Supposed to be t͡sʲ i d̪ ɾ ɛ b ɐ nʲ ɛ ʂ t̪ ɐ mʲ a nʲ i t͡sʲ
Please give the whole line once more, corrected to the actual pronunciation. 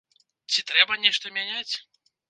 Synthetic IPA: t͡sʲ i t̪ ɾ ɛ b ɐ nʲ ɛ ʂ t̪ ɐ mʲ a nʲ a t͡sʲ